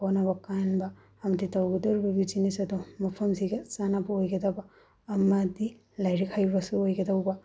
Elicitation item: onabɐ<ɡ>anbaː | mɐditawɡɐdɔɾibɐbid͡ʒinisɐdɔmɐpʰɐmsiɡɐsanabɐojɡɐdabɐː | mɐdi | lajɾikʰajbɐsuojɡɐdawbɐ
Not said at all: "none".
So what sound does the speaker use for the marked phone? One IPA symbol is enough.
k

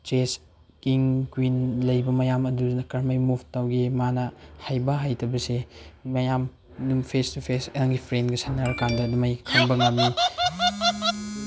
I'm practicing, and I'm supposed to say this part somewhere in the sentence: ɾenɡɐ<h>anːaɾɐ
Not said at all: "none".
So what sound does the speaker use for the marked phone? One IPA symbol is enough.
s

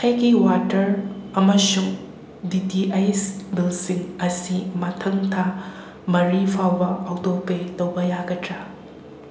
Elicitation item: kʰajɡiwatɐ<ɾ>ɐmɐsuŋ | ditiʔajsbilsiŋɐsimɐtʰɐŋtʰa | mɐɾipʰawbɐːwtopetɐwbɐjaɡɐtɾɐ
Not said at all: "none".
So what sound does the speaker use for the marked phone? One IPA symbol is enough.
ɾ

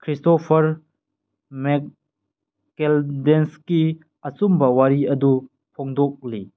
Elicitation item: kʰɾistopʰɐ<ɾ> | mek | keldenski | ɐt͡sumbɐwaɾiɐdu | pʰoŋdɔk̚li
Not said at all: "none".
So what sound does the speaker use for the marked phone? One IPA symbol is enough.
ɾ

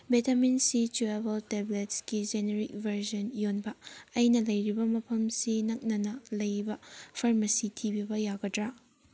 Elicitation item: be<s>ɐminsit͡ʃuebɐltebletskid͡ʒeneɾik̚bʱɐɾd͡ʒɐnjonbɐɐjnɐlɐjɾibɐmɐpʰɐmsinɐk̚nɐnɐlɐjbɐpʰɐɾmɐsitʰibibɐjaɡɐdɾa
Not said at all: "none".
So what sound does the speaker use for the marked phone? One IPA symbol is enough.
t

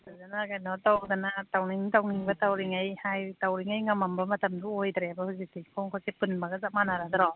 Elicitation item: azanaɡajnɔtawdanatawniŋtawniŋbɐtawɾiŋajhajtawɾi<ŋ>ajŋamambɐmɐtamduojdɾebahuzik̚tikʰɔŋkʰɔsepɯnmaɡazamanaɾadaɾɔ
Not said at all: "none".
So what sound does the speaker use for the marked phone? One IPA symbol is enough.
ŋ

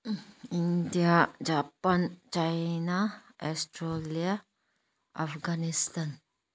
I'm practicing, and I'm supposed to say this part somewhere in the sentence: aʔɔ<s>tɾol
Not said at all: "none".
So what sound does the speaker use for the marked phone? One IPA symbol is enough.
s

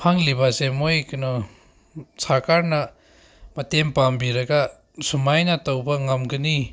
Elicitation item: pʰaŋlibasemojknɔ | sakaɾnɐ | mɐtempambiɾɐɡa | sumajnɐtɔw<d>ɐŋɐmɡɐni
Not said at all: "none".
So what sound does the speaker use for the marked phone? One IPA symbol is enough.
b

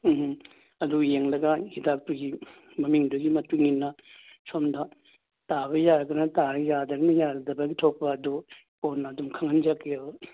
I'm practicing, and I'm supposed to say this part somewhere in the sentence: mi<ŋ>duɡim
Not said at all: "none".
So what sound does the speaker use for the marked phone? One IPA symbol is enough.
ŋ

